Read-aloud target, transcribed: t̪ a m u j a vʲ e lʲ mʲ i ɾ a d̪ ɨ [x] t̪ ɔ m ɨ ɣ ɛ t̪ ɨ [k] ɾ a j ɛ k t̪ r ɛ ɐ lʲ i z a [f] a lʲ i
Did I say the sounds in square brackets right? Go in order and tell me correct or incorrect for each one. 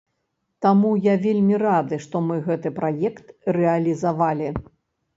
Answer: incorrect: ʂ, incorrect: p, incorrect: v

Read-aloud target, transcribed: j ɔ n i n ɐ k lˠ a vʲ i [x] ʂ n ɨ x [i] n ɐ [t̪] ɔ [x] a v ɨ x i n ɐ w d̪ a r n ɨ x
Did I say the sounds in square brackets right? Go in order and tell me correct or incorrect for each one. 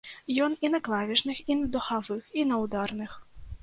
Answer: incorrect: none, correct, incorrect: d̪, correct

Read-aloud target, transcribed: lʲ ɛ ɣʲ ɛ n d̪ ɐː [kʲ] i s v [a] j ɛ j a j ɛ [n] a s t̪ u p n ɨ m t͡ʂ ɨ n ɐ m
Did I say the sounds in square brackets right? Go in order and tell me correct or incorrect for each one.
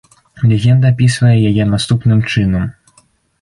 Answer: incorrect: pʲ, incorrect: ɐ, correct

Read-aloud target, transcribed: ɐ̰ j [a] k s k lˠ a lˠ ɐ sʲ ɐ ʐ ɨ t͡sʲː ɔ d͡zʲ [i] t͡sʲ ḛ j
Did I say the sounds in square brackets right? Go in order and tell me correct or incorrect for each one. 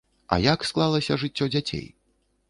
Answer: correct, incorrect: a

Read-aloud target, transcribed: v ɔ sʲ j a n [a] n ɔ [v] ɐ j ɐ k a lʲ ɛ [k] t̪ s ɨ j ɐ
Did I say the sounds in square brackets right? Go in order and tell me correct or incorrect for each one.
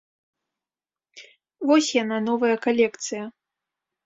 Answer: correct, correct, correct

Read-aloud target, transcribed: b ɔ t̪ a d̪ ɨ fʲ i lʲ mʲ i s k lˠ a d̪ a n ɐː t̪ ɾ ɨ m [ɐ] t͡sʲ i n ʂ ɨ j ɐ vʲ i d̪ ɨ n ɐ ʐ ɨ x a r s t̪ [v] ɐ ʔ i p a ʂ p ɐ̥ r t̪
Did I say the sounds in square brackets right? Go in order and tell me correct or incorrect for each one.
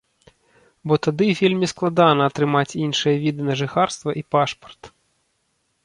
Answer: incorrect: a, correct

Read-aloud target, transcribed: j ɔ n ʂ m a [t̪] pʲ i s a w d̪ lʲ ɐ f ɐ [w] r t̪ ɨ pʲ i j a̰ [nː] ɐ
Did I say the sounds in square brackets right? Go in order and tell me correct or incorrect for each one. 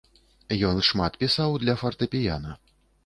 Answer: correct, incorrect: none, incorrect: n

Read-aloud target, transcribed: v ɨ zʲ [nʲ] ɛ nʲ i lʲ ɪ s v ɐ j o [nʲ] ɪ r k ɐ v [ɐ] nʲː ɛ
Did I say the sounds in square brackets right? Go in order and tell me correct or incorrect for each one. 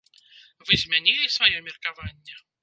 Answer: incorrect: mʲ, incorrect: mʲ, incorrect: a

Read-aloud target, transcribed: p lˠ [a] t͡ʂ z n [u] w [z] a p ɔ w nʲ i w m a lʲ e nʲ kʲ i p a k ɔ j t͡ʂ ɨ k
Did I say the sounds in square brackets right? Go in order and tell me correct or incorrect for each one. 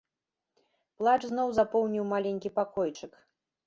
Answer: correct, incorrect: ɔ, correct

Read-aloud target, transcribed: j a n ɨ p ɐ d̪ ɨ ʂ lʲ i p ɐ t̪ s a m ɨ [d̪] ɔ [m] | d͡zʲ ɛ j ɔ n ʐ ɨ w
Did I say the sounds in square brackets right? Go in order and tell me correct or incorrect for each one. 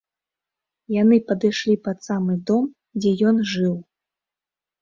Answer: correct, correct

